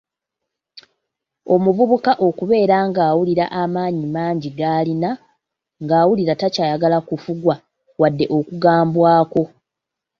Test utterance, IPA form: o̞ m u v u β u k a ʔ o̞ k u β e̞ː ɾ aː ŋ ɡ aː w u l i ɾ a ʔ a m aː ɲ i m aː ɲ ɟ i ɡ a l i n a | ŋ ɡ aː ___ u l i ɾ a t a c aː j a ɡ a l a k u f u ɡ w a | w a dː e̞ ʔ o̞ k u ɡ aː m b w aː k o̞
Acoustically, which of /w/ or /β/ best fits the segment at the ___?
w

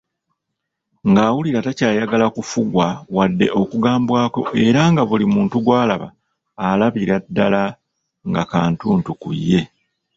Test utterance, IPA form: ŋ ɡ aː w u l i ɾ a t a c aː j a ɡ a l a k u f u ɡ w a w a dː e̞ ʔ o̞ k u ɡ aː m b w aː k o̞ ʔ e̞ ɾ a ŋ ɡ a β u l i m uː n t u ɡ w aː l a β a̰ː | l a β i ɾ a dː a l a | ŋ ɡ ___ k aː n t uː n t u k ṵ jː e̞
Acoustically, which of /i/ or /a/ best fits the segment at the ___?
a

